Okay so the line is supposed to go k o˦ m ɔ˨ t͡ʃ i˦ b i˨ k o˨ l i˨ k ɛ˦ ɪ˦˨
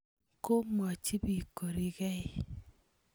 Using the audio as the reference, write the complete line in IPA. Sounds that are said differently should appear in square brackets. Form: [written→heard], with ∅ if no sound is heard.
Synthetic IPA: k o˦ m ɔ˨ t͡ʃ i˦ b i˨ k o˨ [l→ɾ] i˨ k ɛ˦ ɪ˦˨